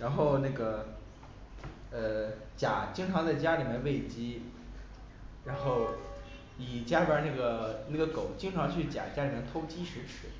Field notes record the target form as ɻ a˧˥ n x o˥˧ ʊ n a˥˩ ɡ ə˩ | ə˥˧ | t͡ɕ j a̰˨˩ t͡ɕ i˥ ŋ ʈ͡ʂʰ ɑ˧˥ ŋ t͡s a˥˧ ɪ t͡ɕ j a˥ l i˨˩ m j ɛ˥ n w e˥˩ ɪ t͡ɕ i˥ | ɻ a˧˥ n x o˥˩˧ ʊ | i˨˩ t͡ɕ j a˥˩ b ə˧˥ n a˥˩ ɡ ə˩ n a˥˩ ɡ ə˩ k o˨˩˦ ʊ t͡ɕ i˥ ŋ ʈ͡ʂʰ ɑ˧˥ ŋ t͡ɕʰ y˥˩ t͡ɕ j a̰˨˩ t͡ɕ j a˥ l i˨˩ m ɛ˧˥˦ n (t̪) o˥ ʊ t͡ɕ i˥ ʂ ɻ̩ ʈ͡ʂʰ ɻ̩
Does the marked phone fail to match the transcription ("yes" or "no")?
yes